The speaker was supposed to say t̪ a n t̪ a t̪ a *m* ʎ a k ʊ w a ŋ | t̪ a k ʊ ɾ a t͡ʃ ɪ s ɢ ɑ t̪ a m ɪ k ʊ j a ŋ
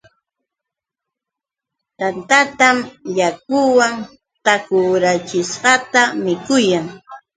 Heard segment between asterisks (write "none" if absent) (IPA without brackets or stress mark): m